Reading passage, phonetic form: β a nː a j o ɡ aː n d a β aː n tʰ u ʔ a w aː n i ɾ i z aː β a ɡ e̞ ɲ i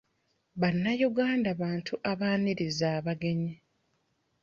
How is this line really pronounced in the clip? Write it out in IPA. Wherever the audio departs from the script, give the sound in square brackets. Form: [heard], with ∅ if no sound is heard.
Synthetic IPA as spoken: β a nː a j [u] ɡ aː n d a β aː n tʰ u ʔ a [β] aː n i ɾ i z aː β a ɡ e̞ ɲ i